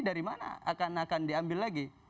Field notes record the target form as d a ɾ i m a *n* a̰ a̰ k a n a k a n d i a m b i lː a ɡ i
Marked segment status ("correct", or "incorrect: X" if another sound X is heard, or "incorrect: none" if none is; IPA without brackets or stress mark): correct